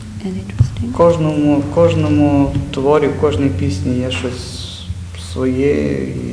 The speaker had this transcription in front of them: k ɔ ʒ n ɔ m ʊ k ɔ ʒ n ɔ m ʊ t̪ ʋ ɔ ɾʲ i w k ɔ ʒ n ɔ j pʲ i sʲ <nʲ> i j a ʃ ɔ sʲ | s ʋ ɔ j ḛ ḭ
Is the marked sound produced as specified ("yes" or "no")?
yes